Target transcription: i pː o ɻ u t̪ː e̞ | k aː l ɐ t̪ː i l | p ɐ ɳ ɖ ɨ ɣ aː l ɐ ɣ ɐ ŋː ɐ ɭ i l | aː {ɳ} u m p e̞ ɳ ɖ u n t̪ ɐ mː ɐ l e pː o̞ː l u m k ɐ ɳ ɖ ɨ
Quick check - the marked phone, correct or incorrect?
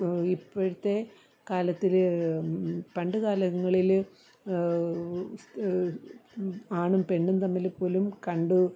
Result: correct